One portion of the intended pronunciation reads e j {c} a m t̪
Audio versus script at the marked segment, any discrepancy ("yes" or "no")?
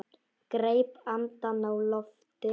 yes